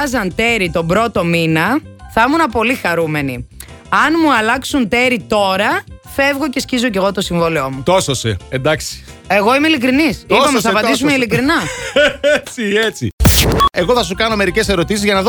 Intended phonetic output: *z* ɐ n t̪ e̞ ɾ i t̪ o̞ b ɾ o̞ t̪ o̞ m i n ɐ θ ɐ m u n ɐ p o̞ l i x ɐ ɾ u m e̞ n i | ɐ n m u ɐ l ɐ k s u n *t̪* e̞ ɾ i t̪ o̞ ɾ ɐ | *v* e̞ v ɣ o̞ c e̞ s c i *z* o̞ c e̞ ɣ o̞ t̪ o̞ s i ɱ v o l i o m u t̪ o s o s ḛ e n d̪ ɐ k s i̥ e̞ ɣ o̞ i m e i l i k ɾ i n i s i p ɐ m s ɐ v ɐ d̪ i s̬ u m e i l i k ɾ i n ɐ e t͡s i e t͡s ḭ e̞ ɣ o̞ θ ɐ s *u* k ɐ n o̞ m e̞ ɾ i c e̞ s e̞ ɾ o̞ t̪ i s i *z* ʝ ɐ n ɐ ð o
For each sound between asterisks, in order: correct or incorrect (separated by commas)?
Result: correct, correct, incorrect, correct, correct, correct